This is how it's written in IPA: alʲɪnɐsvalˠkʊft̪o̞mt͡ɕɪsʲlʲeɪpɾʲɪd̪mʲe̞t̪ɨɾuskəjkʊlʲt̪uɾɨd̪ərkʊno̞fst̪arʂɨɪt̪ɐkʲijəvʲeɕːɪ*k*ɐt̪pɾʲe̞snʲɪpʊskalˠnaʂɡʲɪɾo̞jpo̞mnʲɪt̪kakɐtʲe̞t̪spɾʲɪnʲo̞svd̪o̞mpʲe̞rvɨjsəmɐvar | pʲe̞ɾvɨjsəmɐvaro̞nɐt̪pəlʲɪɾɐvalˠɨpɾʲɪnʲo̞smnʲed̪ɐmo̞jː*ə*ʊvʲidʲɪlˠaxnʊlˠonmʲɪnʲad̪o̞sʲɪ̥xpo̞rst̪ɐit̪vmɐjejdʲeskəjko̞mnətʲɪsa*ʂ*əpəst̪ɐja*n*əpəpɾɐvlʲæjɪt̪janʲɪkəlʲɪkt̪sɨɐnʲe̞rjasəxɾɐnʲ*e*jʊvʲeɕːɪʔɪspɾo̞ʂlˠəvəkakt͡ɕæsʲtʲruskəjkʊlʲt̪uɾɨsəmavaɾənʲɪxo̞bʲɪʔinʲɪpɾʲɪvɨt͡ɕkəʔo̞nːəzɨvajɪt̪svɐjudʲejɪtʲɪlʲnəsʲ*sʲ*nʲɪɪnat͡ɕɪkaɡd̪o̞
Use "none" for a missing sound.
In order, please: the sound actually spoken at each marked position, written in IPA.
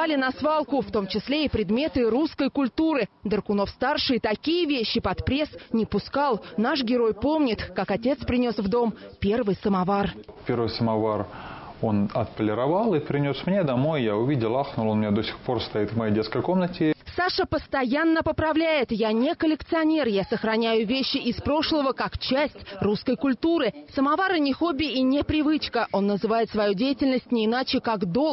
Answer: p, a, ʂ, nː, æ, tʲ

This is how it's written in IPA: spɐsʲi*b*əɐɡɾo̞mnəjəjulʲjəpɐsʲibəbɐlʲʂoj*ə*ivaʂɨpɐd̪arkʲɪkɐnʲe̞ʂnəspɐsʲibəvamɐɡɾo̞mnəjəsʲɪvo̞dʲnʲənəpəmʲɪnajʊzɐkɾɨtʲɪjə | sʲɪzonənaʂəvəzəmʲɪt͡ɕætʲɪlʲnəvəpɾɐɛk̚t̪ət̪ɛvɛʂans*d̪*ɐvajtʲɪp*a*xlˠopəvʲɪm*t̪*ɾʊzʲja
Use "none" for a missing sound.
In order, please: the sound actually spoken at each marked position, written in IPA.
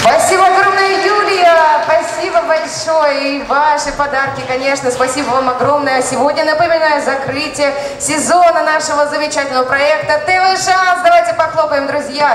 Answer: b, ə, d̪, ɐ, d̪

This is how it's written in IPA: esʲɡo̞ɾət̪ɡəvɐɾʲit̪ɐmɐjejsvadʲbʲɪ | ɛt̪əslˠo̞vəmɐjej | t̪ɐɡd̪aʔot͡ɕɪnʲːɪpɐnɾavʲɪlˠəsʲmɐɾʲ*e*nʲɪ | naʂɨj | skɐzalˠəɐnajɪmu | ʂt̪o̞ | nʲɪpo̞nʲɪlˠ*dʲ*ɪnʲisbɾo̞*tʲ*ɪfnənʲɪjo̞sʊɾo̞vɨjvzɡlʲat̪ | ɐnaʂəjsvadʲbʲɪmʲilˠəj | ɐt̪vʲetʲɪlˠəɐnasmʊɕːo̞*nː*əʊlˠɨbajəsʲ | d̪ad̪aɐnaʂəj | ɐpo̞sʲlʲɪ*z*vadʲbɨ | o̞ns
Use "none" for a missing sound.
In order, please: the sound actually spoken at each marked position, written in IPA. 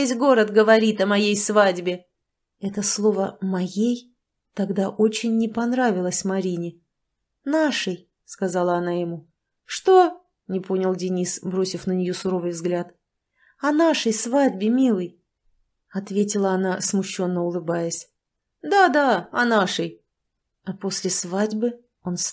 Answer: i, dʲ, sʲ, nː, s

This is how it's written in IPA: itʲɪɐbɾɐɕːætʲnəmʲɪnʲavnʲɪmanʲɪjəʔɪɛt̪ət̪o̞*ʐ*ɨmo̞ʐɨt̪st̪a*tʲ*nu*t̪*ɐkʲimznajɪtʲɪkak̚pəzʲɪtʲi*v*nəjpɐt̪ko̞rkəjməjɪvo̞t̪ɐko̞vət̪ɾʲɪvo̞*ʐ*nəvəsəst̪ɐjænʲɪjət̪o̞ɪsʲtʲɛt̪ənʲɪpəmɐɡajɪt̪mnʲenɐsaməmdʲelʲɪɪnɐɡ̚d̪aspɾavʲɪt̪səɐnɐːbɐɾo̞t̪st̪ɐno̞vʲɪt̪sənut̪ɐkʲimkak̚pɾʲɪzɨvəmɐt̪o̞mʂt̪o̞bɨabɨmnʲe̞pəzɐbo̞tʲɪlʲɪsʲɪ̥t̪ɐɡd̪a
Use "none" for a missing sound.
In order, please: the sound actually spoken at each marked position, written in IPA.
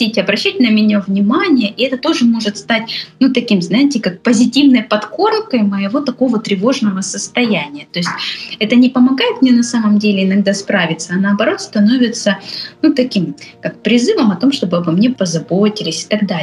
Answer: ʐ, tʲ, t̪, v, ʐ

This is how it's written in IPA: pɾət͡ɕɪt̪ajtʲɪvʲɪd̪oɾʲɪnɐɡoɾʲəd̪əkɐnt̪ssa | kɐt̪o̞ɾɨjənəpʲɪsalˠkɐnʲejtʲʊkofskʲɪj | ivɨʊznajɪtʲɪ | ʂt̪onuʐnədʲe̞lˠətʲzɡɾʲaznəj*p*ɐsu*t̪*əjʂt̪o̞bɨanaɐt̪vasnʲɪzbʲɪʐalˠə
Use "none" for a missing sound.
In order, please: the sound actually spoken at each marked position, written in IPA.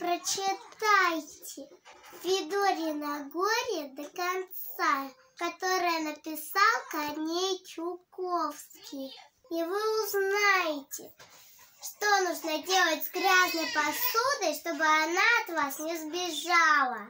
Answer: p, d̪

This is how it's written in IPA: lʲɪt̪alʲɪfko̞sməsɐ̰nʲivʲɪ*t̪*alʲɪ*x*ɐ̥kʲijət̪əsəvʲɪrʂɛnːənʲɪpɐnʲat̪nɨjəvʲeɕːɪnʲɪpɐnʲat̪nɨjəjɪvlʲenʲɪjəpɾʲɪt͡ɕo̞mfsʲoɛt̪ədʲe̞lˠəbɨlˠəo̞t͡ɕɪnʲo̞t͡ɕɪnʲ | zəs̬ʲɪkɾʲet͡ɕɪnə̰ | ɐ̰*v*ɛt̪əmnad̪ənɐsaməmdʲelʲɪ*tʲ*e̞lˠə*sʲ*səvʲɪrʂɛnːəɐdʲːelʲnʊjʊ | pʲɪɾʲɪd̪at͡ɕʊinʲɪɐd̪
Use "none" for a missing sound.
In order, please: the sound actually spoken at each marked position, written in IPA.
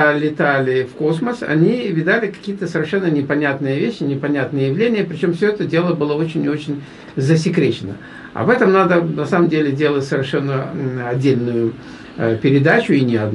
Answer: d̪, k, v, dʲ, tʲ

